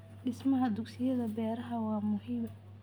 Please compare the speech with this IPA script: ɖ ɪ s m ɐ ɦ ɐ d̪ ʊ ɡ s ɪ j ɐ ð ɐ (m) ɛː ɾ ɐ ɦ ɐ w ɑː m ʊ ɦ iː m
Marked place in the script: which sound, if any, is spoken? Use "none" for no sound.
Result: b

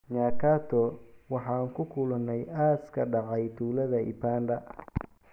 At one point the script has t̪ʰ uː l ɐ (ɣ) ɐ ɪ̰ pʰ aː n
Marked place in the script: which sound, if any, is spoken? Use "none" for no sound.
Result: ð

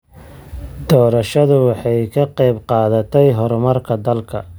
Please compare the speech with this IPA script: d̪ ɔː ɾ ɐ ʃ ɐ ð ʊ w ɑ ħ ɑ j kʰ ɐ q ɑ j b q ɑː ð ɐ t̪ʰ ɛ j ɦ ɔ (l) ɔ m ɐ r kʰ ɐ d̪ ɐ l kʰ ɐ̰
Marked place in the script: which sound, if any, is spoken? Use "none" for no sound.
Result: ɾ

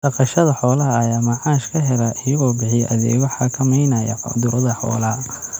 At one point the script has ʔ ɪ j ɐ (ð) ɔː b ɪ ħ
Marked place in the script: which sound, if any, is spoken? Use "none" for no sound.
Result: ɣ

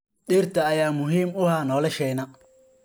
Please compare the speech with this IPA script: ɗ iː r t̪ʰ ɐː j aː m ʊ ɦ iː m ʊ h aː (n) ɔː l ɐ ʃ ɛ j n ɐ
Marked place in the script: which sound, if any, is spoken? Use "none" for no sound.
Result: n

